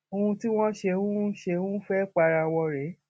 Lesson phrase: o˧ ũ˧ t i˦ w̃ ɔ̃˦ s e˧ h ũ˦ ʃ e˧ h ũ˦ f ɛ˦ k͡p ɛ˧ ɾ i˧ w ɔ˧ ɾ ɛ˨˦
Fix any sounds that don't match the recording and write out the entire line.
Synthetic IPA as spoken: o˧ ũ˧ t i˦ w̃ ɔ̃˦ ʃ e˧ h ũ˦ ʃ e˧ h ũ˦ f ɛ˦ k͡p a˧ ɾ a˧ w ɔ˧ ɾ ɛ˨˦